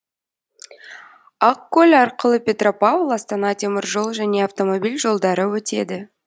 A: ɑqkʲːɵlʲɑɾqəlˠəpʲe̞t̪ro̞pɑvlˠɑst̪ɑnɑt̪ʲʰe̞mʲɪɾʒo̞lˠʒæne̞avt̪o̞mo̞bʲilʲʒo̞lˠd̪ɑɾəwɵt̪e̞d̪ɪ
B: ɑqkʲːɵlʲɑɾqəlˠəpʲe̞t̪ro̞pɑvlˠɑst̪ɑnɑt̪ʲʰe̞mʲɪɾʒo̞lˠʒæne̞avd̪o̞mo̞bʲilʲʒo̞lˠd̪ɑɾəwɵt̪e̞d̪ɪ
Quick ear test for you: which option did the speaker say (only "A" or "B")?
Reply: A